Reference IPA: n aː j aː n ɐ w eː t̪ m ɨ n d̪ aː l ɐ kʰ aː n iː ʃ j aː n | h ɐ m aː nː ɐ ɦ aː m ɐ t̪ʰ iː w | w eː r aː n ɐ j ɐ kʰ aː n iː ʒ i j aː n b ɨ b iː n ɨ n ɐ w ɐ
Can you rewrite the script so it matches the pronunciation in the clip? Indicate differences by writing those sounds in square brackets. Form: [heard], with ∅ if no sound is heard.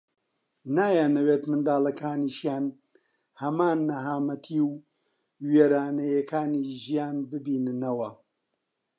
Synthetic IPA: n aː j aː n ɐ w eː t̪ m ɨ n d̪ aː l ɐ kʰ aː n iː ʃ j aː n | h ɐ m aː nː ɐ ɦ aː m ɐ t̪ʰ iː w | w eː [ɾ] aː n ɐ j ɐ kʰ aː n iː ʒ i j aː n b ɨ b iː n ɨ n ɐ w ɐ